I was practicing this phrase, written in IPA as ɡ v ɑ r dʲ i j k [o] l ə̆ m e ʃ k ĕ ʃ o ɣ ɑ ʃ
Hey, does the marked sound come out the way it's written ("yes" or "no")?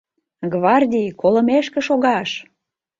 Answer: yes